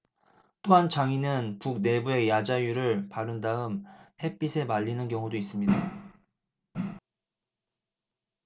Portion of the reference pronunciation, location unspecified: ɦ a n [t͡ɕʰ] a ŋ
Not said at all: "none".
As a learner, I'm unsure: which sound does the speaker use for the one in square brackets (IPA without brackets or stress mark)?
t͡ɕ